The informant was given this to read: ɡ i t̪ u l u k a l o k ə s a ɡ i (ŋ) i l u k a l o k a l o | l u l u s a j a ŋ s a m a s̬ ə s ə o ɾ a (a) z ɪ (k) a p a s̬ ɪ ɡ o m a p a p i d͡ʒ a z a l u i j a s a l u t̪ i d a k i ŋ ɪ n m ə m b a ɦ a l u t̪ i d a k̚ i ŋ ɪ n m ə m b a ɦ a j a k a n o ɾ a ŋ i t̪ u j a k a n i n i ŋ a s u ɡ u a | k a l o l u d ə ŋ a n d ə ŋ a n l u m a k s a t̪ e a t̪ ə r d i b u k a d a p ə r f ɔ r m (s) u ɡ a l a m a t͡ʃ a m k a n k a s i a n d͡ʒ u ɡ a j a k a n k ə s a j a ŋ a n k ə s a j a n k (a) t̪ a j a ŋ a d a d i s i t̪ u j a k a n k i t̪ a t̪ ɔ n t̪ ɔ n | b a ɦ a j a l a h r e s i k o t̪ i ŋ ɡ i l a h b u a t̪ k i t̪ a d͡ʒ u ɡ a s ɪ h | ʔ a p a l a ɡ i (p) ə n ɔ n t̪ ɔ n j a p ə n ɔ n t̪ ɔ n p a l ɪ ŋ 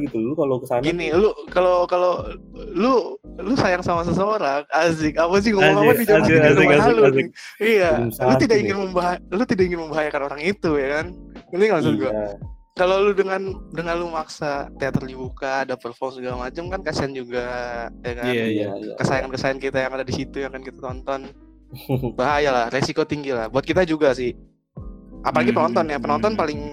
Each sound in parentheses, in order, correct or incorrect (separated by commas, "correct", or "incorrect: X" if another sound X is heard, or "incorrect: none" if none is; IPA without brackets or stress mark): incorrect: n, correct, correct, correct, incorrect: i, correct